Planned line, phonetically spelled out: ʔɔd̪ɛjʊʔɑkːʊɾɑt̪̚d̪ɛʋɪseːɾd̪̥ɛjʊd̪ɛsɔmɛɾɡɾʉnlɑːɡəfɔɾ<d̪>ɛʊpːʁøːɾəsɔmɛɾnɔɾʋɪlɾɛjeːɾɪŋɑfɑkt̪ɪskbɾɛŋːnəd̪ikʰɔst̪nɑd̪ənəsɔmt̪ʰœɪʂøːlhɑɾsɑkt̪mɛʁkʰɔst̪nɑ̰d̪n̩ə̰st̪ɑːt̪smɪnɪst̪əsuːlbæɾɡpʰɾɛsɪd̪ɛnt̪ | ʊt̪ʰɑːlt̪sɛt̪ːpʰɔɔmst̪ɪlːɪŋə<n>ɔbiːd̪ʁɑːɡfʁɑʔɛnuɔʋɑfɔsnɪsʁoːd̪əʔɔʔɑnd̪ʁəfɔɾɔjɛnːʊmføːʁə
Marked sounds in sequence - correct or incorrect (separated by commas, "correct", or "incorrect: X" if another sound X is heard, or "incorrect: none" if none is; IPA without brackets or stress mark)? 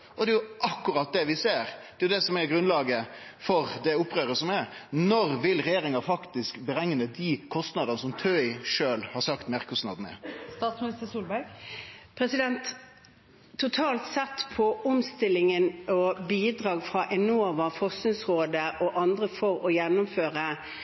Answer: correct, correct